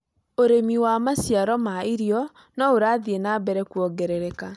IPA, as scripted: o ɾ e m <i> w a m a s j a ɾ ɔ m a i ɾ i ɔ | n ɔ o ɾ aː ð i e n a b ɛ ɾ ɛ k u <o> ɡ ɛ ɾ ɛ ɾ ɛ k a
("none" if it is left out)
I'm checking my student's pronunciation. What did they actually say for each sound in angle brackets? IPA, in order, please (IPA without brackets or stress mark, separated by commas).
i, ɔ